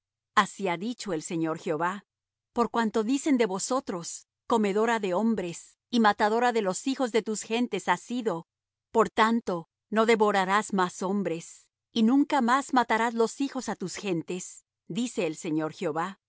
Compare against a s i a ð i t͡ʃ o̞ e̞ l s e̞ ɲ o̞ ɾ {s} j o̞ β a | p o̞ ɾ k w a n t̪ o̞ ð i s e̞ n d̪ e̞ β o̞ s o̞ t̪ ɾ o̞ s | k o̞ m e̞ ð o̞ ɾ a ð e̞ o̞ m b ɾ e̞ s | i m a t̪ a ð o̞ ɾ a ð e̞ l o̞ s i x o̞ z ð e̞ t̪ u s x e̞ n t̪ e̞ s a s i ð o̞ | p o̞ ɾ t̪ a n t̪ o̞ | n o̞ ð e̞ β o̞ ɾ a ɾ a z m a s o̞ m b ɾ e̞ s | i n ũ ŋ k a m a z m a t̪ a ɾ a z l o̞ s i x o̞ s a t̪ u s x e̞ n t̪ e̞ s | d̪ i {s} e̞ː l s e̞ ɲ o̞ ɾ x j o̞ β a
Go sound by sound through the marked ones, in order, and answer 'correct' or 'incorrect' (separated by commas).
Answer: incorrect, correct